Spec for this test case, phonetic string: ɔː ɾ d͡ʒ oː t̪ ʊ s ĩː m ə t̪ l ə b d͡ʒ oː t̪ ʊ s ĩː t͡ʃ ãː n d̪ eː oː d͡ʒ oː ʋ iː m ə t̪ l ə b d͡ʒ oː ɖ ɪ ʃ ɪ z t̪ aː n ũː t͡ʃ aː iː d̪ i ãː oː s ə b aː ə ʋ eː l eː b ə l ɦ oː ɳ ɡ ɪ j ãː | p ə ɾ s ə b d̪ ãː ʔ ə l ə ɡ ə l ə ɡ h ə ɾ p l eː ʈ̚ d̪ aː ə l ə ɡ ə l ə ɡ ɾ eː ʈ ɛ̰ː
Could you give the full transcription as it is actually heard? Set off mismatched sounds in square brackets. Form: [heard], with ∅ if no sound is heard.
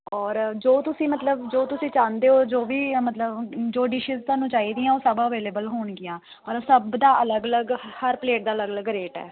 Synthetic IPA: ɔː ɾ d͡ʒ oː t̪ ʊ s ĩː m ə t̪ l ə b d͡ʒ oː t̪ ʊ s ĩː t͡ʃ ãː n d̪ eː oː d͡ʒ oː ʋ iː m ə t̪ l ə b d͡ʒ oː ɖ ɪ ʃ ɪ z t̪ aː n ũː t͡ʃ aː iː d̪ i ãː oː s ə b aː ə ʋ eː l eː b ə l ɦ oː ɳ ɡ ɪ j ãː | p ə ɾ s ə b d̪ [aː] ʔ ə l ə ɡ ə l ə ɡ h ə ɾ p l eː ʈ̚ d̪ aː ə l ə ɡ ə l ə ɡ ɾ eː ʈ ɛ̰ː

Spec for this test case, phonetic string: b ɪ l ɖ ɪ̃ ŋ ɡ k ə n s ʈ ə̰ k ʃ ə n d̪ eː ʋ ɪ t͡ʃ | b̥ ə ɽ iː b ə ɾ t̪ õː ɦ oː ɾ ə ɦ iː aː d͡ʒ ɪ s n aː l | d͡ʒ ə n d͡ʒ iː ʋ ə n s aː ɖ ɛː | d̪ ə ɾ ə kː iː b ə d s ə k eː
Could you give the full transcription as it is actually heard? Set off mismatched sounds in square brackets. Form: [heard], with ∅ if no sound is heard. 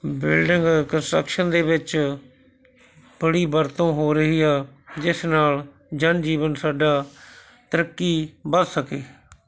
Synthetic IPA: b ɪ l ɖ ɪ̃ ŋ ɡ k ə n s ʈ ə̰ k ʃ ə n d̪ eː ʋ ɪ t͡ʃ | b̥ ə ɽ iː b ə ɾ t̪ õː ɦ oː ɾ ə ɦ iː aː d͡ʒ ɪ s n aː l | d͡ʒ ə n d͡ʒ iː ʋ ə n s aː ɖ [aː] | [t̪] ə ɾ ə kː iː b ə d s ə k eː

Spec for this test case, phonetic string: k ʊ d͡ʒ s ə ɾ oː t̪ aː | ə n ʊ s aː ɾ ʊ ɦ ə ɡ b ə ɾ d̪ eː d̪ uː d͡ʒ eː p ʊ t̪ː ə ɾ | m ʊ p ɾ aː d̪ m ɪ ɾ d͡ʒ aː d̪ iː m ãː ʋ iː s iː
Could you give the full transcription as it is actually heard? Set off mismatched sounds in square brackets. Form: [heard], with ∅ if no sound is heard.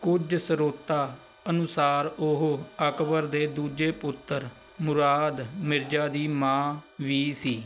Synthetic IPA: k ʊ d͡ʒ s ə ɾ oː t̪ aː | ə n ʊ s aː ɾ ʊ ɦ ə [k] b ə ɾ d̪ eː d̪ uː d͡ʒ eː p ʊ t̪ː ə ɾ | m ʊ [∅] ɾ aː d̪ m ɪ ɾ d͡ʒ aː d̪ iː m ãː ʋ iː s iː

